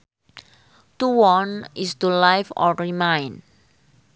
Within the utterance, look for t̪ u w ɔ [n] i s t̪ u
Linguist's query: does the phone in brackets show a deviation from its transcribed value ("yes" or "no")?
no